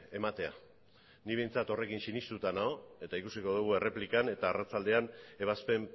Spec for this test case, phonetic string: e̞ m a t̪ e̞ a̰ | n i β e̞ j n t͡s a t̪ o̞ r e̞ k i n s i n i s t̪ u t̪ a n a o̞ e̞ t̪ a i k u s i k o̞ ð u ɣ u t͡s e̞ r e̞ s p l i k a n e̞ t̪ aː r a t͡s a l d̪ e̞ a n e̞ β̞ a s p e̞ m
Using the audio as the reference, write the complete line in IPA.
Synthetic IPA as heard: e̞ m a t̪ e̞ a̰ | n i β e̞ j n t͡s a t̪ o̞ r e̞ k i n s i n i s t̪ u t̪ a n a o̞ e̞ t̪ a i k u s i k o̞ ð u ɣ u e̞ r e̞ p l i k a n e̞ t̪ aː r a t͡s a l d̪ e̞ a n e̞ β̞ a s p e̞ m